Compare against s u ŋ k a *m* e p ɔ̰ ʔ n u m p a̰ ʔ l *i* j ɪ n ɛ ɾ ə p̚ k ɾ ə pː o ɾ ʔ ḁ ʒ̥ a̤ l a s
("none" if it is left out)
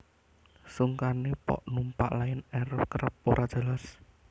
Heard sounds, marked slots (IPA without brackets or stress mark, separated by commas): n, a